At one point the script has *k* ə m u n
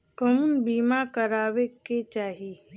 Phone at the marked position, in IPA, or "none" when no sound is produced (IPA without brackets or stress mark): k